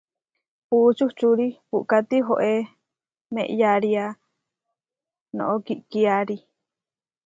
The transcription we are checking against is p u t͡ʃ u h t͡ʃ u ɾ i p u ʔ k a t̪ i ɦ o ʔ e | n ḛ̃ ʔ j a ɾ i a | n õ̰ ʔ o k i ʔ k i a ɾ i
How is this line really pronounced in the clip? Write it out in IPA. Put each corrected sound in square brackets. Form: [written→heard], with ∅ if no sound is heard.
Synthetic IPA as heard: p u t͡ʃ u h t͡ʃ u ɾ i p u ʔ k a t̪ i ɦ o ʔ e | [n→m] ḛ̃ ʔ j a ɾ i a | n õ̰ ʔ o k i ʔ k i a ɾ i